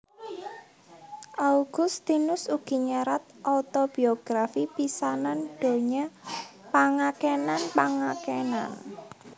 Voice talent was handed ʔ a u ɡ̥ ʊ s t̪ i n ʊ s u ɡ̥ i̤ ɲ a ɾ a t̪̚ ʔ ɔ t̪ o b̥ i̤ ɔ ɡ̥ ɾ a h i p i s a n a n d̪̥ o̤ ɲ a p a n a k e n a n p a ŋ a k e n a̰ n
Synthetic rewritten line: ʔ a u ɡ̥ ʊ s t̪ i n ʊ s u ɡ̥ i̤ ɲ a ɾ a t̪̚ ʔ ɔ t̪ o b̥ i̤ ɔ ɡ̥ ɾ a f i p i s a n a n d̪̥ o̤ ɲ a p a ŋ a k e n a n p a ŋ a k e n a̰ n